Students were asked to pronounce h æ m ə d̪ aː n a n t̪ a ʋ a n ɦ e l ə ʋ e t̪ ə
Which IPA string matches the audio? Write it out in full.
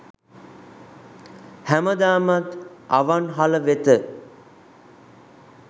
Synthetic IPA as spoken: h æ m ə d̪ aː m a t̪ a ʋ a n ɦ a l ə ʋ e t̪ ə